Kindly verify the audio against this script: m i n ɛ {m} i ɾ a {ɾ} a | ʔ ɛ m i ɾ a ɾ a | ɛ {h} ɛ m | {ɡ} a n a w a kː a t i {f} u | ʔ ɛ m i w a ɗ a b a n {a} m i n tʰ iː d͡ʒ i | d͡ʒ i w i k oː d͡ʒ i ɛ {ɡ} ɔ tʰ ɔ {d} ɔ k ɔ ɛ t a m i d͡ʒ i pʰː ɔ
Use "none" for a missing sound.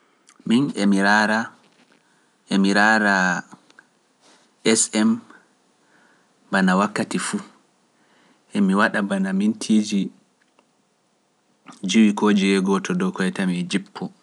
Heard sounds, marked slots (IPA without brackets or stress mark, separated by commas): m, ɾ, s, b, f, a, ɡ, d